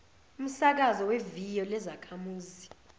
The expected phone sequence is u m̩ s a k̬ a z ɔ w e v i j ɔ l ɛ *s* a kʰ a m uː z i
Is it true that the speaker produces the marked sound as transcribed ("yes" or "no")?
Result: no